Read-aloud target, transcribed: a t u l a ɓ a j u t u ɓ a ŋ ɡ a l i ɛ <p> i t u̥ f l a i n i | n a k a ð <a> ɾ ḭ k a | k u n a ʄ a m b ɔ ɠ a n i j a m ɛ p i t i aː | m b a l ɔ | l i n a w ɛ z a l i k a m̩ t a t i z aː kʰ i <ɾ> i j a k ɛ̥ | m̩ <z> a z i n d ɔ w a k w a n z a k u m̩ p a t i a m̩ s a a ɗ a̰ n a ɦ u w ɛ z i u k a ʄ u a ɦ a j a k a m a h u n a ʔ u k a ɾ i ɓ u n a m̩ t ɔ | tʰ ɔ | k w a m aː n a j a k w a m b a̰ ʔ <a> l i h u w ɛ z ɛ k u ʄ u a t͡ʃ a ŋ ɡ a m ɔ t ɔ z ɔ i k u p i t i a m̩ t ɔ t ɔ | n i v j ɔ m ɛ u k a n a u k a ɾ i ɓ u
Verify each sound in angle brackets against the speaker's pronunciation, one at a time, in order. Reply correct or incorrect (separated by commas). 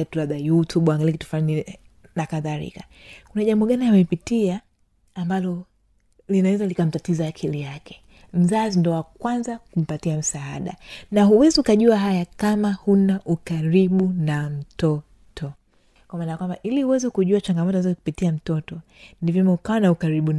incorrect, correct, incorrect, correct, incorrect